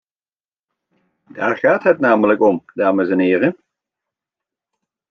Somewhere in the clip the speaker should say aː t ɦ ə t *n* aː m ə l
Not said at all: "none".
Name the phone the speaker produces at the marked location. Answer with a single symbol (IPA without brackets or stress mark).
n